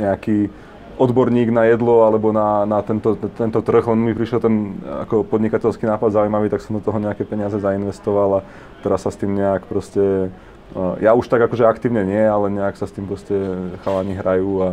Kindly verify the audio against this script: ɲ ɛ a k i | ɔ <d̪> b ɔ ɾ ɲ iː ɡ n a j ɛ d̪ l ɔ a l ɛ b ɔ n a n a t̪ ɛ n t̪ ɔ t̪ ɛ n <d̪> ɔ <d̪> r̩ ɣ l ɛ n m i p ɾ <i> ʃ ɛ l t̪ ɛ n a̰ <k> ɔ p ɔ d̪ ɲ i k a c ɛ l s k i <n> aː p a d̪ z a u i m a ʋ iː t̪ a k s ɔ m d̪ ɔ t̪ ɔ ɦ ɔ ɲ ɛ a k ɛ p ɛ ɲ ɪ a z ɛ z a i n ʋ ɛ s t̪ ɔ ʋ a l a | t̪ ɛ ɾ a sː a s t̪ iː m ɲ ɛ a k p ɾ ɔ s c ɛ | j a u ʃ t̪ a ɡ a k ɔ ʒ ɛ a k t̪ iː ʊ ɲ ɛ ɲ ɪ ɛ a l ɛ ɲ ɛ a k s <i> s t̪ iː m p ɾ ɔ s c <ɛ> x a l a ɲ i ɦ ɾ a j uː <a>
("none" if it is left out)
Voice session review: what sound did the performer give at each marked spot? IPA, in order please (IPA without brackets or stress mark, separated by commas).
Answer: d̪, t̪, t̪, i, k, n, a, ɛ, a